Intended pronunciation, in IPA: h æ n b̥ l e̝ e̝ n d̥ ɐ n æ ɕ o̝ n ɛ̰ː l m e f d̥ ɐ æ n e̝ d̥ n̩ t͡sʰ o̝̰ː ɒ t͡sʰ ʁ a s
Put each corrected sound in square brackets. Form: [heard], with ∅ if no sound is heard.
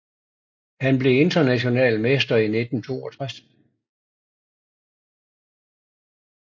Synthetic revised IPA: h æ n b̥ l e̝ e̝ n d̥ ɐ n æ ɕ o̝ n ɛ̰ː l m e [s] d̥ ɐ [i] n e̝ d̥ n̩ t͡sʰ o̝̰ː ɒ t͡sʰ ʁ a s